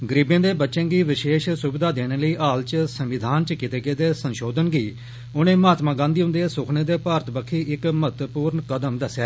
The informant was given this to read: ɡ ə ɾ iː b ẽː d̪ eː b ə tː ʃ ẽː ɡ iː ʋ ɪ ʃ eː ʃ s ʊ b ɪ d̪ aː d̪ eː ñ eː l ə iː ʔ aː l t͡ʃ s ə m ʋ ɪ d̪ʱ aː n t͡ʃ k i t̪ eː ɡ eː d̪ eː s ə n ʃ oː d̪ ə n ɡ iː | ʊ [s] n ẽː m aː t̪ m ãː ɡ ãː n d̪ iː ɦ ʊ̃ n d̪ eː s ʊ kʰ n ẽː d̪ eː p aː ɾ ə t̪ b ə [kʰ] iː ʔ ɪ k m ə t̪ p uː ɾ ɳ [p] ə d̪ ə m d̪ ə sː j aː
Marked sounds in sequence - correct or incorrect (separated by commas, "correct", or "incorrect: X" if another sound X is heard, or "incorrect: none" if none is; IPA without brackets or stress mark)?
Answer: incorrect: none, correct, incorrect: k